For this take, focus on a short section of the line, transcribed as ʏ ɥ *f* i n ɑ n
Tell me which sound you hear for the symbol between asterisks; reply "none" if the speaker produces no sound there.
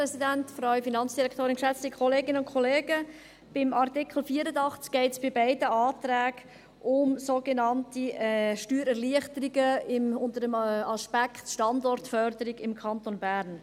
f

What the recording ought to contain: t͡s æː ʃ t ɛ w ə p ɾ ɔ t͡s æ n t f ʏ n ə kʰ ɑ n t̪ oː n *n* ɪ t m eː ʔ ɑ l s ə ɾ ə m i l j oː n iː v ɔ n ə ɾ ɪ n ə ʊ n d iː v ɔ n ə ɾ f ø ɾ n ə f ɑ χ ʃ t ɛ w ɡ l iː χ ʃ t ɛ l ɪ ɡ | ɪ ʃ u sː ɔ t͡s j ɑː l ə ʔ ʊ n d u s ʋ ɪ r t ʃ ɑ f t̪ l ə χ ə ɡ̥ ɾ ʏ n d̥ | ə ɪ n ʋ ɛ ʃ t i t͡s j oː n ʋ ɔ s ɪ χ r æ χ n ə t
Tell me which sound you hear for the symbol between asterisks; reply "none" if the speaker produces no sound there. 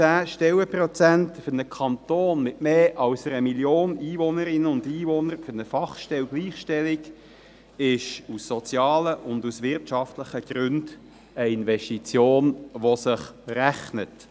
m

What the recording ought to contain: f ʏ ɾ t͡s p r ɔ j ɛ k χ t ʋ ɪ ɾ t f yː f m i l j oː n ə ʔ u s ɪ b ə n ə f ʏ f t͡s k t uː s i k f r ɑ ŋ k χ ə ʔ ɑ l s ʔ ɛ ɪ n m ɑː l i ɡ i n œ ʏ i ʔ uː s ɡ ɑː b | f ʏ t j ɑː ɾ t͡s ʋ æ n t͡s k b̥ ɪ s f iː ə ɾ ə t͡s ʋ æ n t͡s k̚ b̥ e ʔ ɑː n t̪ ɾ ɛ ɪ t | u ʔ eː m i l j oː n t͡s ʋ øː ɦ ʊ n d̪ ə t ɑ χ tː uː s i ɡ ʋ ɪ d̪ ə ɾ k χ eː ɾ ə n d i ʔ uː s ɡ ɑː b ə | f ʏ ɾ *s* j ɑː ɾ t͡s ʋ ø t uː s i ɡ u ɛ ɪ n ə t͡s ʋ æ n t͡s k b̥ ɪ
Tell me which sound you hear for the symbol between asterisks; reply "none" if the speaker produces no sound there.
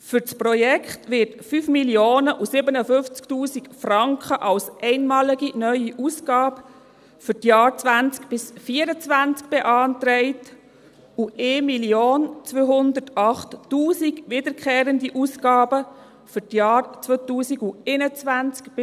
t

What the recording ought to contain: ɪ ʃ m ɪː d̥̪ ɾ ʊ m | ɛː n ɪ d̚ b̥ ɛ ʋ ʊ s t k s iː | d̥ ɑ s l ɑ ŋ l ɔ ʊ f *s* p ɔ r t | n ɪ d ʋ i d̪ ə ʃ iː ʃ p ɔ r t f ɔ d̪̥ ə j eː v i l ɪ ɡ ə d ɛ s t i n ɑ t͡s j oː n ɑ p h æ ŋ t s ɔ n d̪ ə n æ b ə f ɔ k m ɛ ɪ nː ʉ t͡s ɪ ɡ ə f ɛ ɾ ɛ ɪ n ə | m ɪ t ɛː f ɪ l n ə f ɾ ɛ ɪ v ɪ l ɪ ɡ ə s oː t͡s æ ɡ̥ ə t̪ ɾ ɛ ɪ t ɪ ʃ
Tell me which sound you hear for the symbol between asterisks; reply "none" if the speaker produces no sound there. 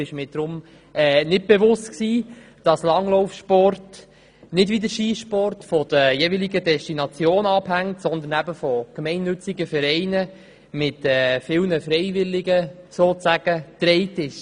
ʃ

